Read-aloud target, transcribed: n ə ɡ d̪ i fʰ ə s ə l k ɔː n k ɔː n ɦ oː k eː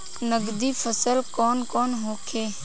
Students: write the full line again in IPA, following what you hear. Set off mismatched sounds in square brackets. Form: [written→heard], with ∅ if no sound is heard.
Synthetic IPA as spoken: n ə ɡ d̪ i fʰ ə s ə l k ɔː n k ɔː n ɦ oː [k→kʰ] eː